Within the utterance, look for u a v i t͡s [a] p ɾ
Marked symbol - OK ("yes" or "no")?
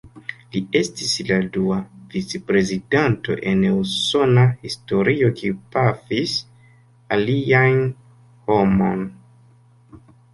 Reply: no